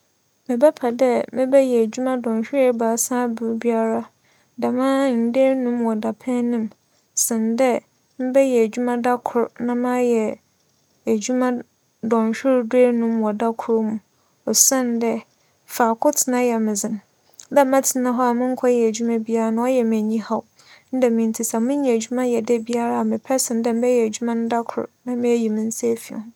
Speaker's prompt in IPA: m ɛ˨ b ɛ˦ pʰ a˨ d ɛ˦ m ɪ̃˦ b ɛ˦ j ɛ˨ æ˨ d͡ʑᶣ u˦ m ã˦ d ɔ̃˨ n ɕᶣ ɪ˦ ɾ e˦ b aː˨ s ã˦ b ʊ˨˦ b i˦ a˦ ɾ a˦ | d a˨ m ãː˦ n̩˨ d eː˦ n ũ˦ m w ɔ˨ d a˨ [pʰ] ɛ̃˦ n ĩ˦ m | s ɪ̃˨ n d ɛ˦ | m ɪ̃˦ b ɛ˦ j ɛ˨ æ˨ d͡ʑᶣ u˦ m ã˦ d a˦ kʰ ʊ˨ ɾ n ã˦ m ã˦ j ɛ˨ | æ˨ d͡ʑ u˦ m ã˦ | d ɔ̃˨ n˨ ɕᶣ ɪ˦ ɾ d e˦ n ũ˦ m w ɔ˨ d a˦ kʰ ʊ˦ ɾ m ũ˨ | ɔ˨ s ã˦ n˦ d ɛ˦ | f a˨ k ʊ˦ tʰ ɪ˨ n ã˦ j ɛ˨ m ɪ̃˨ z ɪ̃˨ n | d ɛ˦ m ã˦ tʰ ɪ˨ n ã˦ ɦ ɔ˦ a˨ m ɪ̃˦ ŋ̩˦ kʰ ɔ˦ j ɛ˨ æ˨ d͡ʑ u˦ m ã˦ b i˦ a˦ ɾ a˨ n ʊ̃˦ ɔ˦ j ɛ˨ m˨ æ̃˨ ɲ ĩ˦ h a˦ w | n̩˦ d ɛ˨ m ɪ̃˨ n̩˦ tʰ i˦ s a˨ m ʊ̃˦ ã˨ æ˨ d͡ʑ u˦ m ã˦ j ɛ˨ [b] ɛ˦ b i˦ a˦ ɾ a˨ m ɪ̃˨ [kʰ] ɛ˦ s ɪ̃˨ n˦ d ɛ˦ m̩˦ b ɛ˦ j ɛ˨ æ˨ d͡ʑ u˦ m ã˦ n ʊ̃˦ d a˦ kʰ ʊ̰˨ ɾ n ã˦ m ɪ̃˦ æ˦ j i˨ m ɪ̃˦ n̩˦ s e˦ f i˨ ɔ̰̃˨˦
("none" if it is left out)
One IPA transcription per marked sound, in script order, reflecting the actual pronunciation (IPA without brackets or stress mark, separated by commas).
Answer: pʰ, d, pʰ